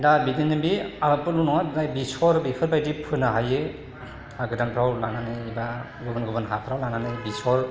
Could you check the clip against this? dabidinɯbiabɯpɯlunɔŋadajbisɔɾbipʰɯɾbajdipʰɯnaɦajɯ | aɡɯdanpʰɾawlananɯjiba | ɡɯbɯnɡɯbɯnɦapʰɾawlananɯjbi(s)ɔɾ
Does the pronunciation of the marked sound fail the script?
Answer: no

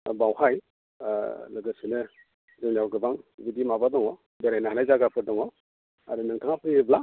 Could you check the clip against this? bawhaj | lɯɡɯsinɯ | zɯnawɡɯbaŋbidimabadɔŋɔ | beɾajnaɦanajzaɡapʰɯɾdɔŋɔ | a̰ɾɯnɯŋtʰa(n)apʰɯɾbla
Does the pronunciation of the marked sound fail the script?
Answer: yes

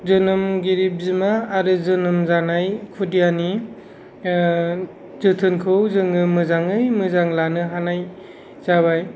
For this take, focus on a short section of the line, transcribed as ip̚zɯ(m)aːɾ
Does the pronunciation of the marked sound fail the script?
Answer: no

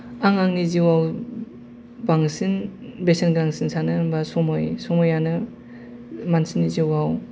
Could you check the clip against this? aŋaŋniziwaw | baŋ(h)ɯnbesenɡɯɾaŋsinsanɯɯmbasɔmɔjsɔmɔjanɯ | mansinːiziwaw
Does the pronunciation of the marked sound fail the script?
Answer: yes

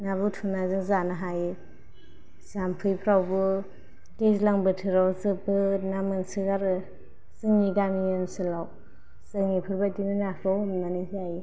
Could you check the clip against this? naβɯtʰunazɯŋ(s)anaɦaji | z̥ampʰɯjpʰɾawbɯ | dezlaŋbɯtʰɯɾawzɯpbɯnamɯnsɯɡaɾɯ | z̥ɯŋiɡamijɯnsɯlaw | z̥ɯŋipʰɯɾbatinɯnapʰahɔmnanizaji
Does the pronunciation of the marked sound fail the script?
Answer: yes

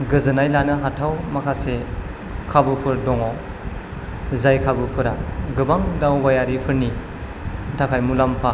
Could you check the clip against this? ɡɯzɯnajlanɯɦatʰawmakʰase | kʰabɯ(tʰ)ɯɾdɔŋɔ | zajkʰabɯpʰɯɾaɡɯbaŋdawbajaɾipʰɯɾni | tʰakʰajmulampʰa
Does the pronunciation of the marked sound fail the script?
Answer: yes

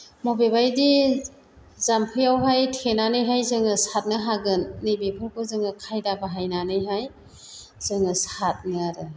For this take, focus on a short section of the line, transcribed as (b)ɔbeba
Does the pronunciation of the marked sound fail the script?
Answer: yes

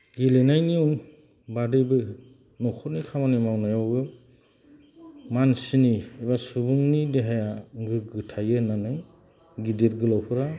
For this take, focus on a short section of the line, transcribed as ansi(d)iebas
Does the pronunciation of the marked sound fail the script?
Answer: yes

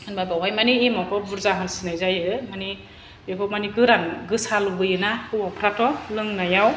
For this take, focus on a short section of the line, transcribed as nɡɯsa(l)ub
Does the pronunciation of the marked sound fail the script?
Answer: no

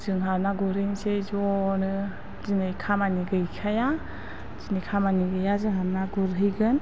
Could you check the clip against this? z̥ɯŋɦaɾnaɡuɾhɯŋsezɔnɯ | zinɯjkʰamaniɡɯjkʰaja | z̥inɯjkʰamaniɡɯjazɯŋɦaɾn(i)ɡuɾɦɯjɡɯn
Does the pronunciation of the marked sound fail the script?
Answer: yes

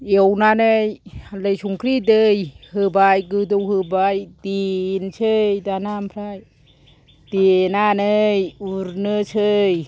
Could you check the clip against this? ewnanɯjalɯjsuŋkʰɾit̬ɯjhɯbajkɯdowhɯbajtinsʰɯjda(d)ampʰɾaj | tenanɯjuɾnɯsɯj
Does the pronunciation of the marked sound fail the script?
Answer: yes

